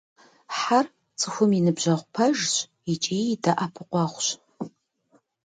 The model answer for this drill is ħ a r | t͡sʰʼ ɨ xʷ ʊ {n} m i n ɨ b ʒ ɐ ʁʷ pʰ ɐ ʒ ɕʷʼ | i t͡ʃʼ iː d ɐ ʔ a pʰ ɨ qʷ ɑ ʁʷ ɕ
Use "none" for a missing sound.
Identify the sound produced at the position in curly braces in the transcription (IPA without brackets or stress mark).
none